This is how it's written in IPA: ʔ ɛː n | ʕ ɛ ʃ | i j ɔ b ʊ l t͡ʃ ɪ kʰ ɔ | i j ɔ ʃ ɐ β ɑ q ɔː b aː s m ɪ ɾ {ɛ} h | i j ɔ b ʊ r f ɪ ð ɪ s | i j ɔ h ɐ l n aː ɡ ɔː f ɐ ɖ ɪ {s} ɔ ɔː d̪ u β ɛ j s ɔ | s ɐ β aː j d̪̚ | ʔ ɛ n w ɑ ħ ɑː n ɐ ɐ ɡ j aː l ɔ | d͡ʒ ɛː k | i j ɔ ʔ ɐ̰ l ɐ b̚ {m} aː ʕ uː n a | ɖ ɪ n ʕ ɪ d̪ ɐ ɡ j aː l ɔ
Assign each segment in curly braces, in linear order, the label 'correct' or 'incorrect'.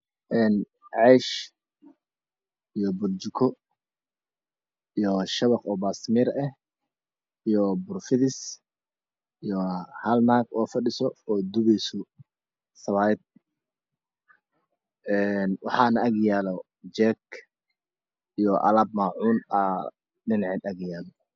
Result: correct, correct, correct

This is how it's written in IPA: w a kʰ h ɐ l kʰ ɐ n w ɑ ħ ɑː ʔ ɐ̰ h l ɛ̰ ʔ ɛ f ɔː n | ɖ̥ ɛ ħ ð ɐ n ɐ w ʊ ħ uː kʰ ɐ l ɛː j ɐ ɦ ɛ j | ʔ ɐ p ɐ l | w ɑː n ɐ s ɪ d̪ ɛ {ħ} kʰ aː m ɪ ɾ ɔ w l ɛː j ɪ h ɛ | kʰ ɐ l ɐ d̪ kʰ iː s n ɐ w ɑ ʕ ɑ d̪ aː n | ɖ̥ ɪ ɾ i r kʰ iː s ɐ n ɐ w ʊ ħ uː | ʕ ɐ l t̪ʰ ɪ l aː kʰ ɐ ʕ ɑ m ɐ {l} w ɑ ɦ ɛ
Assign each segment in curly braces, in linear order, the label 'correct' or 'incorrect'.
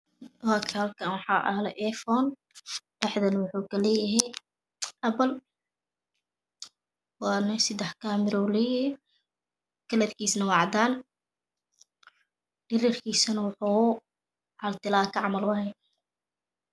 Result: correct, correct

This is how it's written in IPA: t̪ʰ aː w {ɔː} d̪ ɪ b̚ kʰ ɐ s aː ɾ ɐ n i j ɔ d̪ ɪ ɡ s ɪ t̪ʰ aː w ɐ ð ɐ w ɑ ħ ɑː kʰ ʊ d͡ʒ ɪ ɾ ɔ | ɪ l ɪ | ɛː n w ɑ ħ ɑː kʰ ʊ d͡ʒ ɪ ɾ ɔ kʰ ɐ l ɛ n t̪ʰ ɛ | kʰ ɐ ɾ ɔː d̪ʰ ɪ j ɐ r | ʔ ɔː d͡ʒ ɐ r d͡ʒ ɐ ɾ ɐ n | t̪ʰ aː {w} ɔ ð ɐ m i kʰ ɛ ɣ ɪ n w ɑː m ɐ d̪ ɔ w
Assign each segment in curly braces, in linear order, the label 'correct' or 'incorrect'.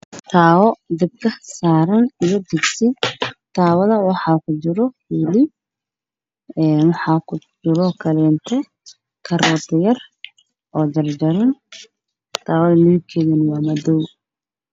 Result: incorrect: ɔ, correct

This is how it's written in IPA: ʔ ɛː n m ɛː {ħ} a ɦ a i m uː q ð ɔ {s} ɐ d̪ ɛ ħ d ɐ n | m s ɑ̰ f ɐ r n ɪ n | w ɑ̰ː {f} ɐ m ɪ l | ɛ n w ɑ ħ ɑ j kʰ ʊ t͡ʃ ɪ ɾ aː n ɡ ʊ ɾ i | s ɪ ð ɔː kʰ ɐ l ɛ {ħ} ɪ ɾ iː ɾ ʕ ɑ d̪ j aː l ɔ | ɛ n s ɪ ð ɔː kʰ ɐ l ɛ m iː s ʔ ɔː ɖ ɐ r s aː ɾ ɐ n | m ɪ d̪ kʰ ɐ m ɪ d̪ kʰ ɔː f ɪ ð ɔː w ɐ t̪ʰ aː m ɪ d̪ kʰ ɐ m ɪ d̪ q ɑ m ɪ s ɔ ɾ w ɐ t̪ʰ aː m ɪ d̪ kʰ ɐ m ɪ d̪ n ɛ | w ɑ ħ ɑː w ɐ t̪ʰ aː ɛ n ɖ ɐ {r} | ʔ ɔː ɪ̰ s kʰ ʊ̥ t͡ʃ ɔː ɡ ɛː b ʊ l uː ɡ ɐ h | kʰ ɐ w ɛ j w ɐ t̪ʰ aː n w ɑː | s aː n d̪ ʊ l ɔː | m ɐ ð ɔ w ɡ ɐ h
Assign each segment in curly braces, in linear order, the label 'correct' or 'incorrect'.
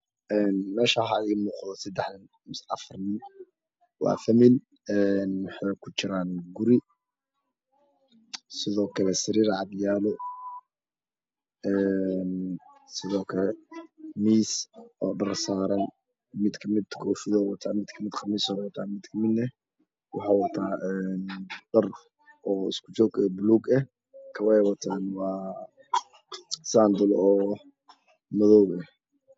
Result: incorrect: ʃ, correct, correct, incorrect: s, correct

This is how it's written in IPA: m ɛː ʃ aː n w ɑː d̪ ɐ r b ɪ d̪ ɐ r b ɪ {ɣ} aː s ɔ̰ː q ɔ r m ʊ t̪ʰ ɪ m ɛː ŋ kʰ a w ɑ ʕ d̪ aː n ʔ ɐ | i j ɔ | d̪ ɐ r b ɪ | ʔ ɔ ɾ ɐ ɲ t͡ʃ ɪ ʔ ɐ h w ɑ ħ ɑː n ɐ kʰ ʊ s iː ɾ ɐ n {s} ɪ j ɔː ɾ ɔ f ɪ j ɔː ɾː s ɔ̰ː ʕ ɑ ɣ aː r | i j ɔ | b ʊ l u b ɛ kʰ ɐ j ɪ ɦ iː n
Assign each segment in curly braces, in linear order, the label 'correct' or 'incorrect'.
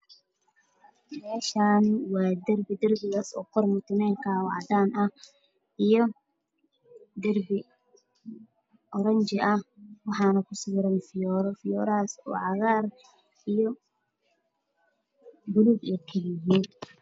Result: correct, incorrect: f

